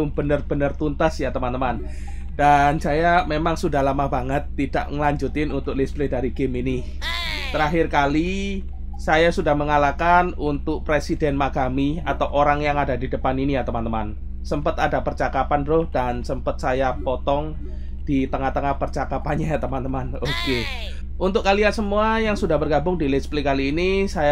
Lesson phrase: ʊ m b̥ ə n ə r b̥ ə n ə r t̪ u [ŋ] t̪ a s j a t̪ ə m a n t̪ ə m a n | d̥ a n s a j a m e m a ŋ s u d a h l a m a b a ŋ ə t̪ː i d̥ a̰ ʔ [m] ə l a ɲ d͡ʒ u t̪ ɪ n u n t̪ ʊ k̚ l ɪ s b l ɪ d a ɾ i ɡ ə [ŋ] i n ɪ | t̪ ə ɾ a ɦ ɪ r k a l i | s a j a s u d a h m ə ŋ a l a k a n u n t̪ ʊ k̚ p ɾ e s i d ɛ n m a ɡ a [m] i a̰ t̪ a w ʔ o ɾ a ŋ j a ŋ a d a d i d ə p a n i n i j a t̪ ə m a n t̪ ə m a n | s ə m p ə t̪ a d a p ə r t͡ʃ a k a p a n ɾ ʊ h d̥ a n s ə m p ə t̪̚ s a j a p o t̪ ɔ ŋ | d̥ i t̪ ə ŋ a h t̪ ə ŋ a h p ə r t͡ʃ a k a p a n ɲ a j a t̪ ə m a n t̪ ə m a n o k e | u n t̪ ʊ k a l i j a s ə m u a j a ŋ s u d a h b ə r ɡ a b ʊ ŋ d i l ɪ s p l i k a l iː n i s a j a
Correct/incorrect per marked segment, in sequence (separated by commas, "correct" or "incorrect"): incorrect, incorrect, incorrect, correct